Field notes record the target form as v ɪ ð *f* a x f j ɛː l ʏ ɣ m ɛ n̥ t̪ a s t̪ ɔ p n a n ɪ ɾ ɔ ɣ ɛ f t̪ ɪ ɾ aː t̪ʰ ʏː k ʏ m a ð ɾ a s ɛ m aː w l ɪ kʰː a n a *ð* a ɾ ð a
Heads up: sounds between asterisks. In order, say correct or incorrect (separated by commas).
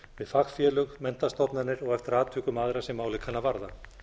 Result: correct, incorrect